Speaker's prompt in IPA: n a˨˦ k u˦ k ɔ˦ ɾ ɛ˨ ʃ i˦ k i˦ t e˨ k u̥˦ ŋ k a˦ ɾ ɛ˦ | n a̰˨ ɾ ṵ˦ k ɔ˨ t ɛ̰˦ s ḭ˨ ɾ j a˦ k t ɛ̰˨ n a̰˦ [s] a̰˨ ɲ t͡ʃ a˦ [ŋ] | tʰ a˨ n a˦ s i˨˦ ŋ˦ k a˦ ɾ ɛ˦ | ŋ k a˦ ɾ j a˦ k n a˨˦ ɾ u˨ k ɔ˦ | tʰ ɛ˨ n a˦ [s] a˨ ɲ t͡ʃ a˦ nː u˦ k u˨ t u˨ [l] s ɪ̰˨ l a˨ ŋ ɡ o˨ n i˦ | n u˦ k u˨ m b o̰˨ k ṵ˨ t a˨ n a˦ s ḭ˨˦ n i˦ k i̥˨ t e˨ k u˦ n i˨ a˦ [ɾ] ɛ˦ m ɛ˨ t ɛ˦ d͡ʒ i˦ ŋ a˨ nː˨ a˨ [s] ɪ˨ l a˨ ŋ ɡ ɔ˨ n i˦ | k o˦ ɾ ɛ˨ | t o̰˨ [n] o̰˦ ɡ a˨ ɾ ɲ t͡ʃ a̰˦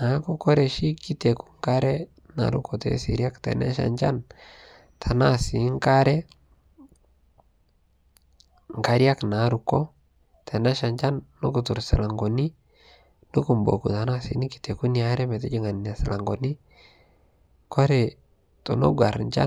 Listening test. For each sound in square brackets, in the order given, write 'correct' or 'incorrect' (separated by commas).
incorrect, incorrect, incorrect, incorrect, correct, correct, correct